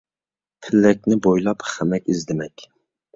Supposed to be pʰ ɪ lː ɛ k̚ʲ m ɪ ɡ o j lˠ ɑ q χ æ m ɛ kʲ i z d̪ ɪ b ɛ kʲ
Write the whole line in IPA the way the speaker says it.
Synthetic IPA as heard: pʰ ɪ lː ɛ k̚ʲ n ɪ b o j lˠ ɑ p χ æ m ɛ kʲ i z d̪ ɪ m ɛ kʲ

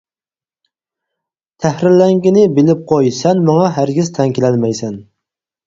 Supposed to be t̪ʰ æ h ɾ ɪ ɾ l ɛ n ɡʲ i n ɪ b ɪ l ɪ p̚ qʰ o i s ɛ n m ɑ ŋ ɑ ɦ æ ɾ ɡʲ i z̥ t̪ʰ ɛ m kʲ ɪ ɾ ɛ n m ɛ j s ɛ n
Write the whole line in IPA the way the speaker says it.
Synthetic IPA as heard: t̪ʰ æ h ɾ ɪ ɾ l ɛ ŋ ɡʲ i n ɪ b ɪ l ɪ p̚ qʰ o j s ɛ n m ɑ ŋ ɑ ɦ æ ɾ ɡʲ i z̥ t̪ʰ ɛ ŋ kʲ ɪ l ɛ n m ɛ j s ɛ n

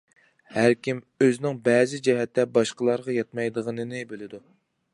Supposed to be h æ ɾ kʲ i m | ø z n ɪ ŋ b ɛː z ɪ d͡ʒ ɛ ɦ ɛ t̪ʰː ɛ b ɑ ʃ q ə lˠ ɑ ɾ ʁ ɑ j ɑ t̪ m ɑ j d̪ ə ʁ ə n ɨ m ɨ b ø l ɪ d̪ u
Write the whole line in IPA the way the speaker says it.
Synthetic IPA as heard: h æ ɾ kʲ i m | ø z n ɪ ŋ b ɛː z ɪ d͡ʒ ɛ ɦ ɛ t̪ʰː ɛ b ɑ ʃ q ə lˠ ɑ ɾ ʁ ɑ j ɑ t̪ m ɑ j d̪ ə ʁ ə n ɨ n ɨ b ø l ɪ d̪ u

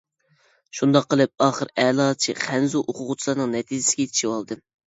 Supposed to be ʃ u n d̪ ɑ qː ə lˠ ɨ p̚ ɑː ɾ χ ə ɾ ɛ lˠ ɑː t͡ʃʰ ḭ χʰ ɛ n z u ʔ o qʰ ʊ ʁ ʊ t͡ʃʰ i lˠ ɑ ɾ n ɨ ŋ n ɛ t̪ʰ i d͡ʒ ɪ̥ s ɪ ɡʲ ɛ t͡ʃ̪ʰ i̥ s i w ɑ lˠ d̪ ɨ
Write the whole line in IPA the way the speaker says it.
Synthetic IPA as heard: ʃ u n d̪ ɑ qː ə lˠ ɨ p̚ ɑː χ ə ɾ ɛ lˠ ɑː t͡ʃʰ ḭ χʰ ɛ n z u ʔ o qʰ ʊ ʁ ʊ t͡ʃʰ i lˠ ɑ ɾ n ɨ ŋ n ɛ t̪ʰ i d͡ʒ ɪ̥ s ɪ ɡʲ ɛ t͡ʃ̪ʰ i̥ ʃ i w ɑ lˠ d̪ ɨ

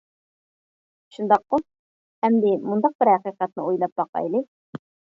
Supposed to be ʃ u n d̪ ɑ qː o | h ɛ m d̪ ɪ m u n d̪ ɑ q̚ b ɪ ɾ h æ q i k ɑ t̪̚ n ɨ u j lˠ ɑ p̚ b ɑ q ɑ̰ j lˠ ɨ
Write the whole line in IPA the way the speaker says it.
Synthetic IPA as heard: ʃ u n d̪ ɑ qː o | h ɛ m d̪ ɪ m u n d̪ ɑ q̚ b ɪ ɾ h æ q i q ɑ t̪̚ n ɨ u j lˠ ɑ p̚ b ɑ q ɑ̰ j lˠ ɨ

